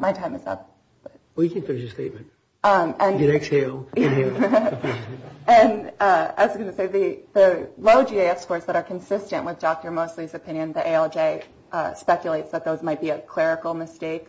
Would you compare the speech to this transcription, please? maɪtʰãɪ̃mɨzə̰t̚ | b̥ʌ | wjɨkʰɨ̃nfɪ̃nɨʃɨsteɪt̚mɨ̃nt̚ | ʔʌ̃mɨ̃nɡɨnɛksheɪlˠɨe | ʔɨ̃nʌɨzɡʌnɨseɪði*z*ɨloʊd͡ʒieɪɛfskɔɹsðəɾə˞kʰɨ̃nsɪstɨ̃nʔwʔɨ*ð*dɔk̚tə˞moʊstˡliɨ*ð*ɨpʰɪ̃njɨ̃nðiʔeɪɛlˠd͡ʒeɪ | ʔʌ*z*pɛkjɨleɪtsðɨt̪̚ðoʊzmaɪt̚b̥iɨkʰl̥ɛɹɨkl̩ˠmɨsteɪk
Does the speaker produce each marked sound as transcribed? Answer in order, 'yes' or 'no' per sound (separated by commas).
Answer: no, yes, no, no